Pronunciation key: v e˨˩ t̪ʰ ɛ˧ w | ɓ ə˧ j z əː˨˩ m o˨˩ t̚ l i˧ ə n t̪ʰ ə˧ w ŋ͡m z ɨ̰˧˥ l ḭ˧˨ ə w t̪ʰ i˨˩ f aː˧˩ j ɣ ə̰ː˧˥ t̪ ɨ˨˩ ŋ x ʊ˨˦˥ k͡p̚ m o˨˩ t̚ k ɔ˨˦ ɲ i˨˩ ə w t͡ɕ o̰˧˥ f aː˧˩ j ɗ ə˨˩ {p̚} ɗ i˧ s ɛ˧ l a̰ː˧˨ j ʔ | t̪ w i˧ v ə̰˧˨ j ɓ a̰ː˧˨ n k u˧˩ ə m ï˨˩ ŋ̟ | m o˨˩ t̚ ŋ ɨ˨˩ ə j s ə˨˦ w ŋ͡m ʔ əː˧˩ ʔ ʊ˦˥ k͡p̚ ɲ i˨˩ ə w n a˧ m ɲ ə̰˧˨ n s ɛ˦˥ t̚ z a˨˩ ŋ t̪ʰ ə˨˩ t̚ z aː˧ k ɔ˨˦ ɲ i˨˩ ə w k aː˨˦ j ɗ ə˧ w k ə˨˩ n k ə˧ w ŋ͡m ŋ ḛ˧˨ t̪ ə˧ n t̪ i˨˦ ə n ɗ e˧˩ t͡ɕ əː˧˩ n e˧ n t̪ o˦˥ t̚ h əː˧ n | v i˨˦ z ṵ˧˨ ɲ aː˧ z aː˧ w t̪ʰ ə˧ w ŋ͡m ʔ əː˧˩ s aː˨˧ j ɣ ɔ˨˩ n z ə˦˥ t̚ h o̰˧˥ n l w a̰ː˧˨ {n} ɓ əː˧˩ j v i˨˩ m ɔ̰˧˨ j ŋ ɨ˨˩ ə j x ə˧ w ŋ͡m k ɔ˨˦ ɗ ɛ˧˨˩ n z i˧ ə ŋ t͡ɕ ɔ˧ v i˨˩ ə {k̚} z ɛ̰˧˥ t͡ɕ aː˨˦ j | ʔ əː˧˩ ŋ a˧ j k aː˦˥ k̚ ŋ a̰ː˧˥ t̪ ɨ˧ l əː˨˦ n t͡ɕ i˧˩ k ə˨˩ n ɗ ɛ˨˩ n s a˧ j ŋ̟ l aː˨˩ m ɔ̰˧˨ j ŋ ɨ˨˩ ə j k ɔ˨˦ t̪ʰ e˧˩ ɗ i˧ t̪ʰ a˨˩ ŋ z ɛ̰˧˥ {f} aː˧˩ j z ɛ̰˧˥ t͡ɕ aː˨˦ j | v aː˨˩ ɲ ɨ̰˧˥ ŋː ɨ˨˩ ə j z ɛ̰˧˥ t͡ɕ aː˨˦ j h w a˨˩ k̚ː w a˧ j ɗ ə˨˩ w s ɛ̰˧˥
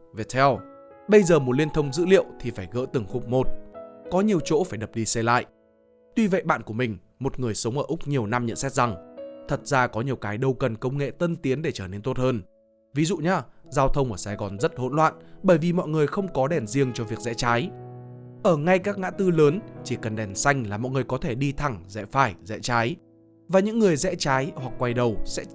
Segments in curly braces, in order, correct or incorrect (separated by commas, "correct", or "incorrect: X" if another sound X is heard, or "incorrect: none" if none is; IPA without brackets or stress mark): correct, correct, correct, correct